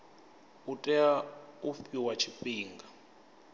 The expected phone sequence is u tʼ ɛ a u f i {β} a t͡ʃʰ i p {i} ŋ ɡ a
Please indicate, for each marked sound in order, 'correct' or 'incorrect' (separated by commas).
incorrect, incorrect